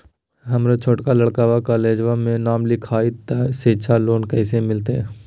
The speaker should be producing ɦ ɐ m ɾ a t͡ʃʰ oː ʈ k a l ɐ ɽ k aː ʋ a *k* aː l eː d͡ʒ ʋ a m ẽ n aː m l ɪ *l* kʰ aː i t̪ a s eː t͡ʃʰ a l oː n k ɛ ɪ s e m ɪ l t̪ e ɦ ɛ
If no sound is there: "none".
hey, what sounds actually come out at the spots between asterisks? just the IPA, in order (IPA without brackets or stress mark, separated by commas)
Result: k, none